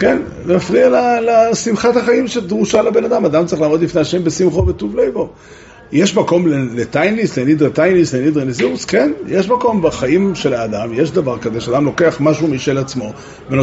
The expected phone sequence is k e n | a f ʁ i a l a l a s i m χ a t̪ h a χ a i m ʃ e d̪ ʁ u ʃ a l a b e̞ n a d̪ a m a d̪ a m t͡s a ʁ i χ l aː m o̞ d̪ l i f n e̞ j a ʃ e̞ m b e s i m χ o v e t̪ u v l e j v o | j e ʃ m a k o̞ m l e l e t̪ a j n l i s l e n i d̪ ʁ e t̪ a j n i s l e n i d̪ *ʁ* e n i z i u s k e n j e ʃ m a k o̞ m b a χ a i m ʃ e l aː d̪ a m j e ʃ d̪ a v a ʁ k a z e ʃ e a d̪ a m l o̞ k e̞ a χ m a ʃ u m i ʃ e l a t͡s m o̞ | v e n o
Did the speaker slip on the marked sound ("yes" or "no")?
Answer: no